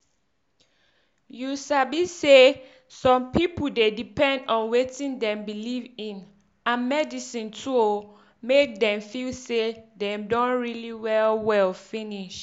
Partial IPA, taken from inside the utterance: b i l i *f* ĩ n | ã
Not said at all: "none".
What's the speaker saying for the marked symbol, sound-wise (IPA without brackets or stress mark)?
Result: v